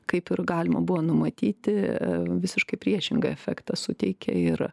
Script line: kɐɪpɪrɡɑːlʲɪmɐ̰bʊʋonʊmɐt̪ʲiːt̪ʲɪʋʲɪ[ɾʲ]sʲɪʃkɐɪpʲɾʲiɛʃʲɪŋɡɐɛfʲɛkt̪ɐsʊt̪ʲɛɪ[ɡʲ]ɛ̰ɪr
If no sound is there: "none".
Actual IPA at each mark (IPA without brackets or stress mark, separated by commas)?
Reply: none, kʲ